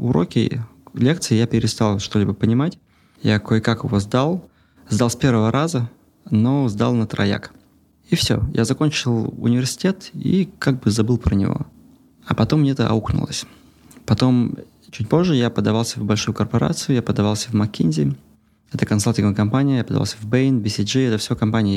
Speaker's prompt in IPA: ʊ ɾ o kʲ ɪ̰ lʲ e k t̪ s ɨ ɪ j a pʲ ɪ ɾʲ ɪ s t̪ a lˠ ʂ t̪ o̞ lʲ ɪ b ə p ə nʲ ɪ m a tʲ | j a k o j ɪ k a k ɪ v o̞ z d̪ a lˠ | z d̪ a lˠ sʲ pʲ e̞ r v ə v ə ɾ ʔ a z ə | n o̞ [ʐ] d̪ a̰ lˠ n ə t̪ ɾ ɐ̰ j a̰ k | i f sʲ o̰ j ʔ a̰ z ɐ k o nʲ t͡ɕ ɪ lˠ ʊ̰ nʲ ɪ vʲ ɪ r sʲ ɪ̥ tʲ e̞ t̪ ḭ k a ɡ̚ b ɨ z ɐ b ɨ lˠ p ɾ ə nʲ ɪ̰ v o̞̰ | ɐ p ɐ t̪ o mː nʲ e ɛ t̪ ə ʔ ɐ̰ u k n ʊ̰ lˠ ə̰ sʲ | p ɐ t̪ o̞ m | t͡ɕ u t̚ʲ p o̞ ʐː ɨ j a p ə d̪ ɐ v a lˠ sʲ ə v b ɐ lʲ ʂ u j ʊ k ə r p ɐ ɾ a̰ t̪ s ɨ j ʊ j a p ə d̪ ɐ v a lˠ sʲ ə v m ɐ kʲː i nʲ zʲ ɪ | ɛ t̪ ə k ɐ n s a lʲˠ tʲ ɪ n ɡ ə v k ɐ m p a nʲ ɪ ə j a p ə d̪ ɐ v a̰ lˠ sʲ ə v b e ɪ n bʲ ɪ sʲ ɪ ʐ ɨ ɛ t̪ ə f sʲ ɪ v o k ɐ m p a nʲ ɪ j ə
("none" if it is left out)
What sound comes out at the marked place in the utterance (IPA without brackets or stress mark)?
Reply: z